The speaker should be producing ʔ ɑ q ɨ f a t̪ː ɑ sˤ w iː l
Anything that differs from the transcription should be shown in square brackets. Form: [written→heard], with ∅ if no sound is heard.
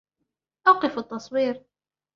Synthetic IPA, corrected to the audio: ʔ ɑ q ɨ f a t̪ː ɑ sˤ w iː [l→ɾ]